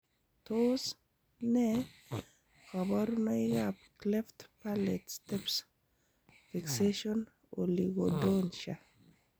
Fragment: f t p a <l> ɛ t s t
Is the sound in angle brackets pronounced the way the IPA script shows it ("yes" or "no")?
yes